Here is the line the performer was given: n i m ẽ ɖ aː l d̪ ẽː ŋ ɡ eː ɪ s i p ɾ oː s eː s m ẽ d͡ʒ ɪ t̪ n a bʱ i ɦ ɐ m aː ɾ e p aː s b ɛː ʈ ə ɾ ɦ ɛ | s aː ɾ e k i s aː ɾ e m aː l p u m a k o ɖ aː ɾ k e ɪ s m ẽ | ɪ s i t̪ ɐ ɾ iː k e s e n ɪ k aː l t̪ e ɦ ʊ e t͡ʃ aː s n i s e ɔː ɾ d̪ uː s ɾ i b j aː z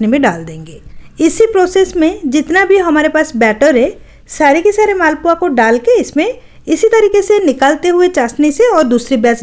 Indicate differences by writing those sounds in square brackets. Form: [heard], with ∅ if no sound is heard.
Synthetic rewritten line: n i m ẽ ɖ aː l d̪ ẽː ŋ ɡ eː ɪ s i p ɾ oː s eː s m ẽ d͡ʒ ɪ t̪ n a bʱ i ɦ ɐ m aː ɾ e p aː s b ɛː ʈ ə ɾ ɦ ɛ | s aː ɾ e k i s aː ɾ e m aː l p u [∅] a k o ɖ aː [l] k e ɪ s m ẽ | ɪ s i t̪ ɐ ɾ iː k e s e n ɪ k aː l t̪ e ɦ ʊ e t͡ʃ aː s n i s e ɔː ɾ d̪ uː s ɾ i b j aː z